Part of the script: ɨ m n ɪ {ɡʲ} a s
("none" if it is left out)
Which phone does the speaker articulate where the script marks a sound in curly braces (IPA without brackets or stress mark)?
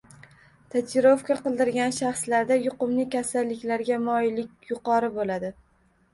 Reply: kʲ